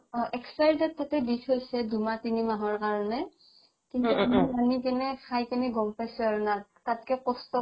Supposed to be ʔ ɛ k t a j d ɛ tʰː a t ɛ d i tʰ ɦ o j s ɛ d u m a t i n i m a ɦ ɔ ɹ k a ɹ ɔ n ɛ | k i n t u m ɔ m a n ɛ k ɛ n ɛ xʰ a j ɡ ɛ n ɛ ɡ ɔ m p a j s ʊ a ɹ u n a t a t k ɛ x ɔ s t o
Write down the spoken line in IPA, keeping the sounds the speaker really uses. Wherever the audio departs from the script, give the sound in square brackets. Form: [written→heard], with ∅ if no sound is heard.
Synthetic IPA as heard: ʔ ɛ k [t→s] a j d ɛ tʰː a t ɛ d i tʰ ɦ o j s ɛ d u m a t i n i m a ɦ ɔ ɹ k a ɹ ɔ n ɛ | k i n t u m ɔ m a n [ɛ→i] k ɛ n ɛ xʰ a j [ɡ→k] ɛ n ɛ ɡ ɔ m p a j s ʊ a ɹ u n a t a t k ɛ [x→k] ɔ s t [o→ɔ]